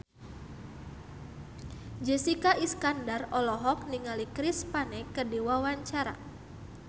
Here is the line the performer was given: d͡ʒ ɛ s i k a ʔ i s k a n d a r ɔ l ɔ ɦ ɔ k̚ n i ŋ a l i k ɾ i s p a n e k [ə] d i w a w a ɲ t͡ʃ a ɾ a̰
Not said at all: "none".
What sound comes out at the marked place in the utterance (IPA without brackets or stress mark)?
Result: ə